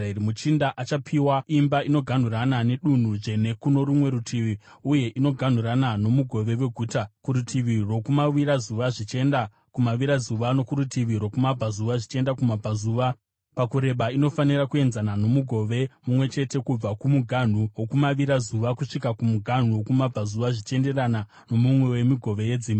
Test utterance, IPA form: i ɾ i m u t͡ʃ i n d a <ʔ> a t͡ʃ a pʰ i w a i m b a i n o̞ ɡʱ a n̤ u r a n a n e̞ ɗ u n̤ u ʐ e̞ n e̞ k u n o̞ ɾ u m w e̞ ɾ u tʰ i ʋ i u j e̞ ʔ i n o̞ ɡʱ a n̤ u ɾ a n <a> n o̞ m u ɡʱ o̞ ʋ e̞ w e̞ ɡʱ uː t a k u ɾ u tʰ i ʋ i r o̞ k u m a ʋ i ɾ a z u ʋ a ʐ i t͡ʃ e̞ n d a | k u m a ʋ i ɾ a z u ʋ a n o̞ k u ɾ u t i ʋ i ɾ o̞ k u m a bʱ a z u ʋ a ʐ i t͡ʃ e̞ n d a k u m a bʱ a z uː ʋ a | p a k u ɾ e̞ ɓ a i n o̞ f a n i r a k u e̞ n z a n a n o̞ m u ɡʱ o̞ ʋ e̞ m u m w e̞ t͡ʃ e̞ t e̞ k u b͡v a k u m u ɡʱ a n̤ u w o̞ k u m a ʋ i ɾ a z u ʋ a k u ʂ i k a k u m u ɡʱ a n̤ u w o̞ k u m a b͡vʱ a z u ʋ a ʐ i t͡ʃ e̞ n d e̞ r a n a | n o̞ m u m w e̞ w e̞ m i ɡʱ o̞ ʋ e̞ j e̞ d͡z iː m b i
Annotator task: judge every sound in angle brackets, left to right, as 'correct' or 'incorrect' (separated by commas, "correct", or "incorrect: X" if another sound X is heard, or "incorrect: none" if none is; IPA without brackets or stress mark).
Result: correct, correct